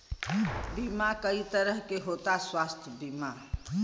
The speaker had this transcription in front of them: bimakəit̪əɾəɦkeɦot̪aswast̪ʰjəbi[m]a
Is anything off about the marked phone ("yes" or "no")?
no